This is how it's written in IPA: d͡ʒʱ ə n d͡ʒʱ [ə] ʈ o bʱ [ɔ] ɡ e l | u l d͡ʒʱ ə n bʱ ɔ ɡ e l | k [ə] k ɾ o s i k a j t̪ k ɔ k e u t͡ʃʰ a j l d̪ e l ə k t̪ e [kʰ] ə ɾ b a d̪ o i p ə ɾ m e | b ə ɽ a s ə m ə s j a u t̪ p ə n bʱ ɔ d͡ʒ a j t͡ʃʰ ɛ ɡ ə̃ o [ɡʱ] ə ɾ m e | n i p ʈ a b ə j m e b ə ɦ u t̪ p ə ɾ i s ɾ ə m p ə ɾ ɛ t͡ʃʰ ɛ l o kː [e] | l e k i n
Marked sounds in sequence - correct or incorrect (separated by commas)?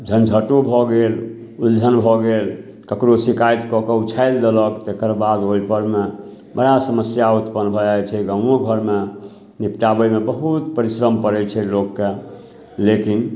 correct, correct, correct, incorrect, correct, correct